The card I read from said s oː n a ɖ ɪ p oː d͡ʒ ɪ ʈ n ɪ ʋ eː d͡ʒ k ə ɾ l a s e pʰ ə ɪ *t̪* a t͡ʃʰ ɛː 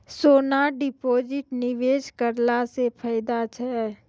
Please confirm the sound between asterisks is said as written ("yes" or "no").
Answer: no